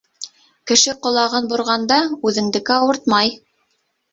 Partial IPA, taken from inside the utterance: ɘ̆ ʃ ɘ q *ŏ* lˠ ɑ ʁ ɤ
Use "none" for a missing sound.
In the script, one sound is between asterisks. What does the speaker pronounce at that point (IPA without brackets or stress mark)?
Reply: ŏ